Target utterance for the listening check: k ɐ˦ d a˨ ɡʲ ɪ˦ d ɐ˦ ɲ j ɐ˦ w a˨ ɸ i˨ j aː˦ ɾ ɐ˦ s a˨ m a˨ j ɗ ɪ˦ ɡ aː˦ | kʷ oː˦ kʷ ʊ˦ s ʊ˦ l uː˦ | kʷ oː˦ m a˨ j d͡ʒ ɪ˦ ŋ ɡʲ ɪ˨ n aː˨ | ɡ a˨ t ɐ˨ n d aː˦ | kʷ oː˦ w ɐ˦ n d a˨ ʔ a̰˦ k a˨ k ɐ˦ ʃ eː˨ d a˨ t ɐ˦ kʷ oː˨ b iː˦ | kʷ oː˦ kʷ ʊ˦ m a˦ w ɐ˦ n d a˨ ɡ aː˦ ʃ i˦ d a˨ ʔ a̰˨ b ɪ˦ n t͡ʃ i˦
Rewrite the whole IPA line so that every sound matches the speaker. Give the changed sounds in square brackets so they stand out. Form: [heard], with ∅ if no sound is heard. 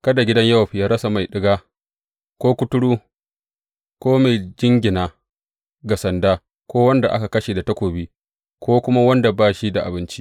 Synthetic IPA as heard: k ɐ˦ d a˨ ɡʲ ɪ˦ d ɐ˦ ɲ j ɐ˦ w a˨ ɸ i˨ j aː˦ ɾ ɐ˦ s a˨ m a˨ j ɗ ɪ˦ ɡ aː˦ | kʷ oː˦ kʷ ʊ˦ [t] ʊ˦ [ɽ] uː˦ | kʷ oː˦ m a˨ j d͡ʒ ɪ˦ ŋ ɡʲ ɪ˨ n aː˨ | ɡ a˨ [s] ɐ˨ n d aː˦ | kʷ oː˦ w ɐ˦ n d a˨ ʔ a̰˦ k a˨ k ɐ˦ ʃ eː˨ d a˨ t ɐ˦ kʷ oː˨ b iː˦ | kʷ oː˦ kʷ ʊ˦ m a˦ w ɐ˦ n d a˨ [b] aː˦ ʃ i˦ d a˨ ʔ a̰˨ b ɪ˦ n t͡ʃ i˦